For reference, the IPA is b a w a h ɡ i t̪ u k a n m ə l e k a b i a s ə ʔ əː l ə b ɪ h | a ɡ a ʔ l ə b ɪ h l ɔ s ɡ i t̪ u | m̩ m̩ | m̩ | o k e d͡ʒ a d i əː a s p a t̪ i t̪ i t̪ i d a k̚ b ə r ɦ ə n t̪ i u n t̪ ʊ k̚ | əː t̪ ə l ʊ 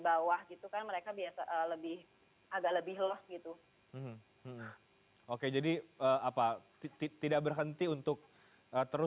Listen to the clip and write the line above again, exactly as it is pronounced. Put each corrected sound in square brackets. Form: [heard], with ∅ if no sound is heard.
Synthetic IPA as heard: b a w a h ɡ i t̪ u k a n m ə [ɾ] e k a b i a s [a] ʔ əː l ə b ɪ h | a ɡ a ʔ l ə b ɪ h l ɔ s ɡ i t̪ u | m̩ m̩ | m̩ | o k e d͡ʒ a d i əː a [∅] p a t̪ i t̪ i t̪ i d a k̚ b ə r ɦ ə n t̪ i u n t̪ ʊ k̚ | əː t̪ ə [ɾ] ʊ